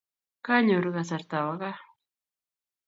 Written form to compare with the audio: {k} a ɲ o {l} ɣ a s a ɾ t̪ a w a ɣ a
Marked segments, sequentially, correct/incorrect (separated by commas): correct, incorrect